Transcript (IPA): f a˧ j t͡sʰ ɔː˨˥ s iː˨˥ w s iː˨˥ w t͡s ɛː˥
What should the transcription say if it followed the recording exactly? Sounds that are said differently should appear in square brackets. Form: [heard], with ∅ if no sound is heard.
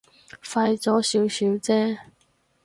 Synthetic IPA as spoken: f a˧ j [t͡s] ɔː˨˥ s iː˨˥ w s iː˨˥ w t͡s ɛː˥